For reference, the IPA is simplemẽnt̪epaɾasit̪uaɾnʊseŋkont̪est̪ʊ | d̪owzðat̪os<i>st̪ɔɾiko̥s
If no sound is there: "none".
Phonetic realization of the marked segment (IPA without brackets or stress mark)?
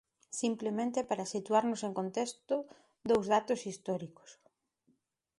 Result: i